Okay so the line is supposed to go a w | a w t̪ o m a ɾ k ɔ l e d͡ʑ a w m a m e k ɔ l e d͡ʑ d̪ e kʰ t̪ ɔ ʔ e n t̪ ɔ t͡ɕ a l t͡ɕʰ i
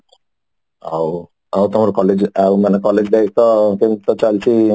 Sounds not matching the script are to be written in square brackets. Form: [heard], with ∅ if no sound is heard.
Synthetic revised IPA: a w | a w t̪ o m a ɾ k ɔ l e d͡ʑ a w m a [n] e k ɔ l e d͡ʑ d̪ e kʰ t̪ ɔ [k] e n t̪ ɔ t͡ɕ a l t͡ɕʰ i